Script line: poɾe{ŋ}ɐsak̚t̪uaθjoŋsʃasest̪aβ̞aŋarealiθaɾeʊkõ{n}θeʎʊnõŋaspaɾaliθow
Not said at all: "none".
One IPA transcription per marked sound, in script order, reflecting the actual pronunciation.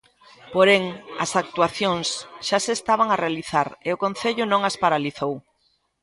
ŋ, n

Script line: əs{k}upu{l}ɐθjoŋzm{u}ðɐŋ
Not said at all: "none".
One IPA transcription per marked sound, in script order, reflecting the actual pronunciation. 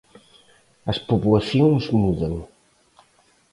p, l, u

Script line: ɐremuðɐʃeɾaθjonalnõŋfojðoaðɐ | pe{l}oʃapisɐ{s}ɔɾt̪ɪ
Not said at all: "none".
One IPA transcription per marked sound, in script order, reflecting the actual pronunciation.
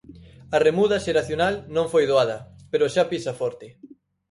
ɾ, f

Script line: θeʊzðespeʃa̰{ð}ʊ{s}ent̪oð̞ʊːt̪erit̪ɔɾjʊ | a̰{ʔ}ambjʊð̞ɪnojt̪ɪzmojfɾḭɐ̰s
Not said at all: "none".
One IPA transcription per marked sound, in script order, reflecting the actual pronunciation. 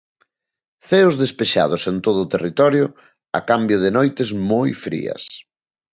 ð, s, k

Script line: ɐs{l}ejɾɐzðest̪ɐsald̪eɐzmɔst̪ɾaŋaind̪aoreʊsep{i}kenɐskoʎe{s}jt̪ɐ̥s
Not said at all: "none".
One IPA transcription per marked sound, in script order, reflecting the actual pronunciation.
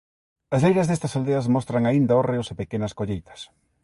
l, e, none

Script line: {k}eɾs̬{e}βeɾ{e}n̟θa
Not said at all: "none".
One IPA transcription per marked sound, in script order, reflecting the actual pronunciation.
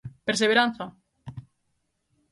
p, e, a

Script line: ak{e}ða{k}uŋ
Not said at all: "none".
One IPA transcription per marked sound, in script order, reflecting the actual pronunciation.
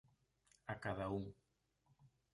a, none

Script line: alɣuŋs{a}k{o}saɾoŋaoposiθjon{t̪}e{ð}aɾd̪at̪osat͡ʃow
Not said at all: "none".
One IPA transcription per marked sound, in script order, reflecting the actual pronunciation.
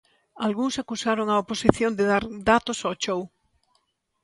a, u, d̪, ð

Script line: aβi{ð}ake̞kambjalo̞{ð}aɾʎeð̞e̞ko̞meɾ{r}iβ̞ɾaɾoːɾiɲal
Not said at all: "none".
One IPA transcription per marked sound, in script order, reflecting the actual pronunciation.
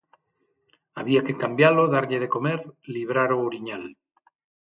none, ð, l

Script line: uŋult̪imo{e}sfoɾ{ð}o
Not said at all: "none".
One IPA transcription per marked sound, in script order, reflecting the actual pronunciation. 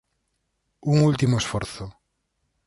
e, θ

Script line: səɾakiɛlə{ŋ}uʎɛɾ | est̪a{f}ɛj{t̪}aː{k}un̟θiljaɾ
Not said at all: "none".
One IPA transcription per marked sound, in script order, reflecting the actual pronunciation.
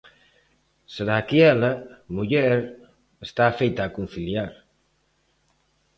m, f, t̪, k

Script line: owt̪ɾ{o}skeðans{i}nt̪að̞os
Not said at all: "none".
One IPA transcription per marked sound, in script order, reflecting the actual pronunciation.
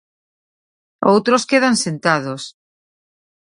o, e

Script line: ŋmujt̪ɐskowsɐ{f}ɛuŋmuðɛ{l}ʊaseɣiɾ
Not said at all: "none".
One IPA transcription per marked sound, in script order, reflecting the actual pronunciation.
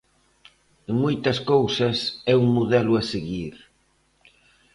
s, l

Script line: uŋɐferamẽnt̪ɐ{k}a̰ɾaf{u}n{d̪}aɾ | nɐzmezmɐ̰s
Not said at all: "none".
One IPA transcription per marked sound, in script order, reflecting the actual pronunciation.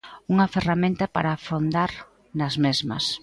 p, o, d̪

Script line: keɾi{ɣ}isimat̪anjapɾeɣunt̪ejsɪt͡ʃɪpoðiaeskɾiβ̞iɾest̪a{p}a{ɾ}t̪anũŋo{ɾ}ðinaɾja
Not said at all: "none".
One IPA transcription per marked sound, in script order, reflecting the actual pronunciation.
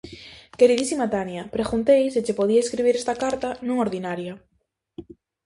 ð, k, ɾ, ɾ

